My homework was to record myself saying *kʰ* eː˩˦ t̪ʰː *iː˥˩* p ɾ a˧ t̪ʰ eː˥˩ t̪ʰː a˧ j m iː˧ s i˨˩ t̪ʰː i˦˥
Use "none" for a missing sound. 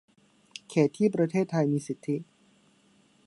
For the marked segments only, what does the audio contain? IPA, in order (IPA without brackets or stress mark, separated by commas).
kʰ, iː˥˩